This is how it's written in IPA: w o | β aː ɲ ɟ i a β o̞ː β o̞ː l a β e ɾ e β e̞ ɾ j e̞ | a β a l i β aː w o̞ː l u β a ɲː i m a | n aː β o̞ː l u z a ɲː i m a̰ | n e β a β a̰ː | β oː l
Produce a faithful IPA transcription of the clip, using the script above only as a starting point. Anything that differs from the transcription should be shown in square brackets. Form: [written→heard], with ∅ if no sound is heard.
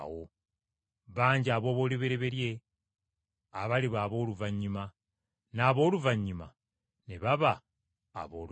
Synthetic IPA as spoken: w o | β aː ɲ ɟ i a β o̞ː β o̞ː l [a→i] β e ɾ e β e̞ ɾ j e̞ | a β a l i β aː [w→β] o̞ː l u [β→v] a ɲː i m a | n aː β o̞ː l u [z→v] a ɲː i m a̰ | n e β a β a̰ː | β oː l